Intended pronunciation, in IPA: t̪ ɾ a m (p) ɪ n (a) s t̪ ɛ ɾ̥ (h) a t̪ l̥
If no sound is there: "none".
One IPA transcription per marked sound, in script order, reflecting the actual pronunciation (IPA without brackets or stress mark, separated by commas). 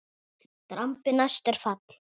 p, a, f